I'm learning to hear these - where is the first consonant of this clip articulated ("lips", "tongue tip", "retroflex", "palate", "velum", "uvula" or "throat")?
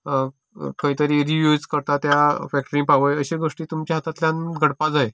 velum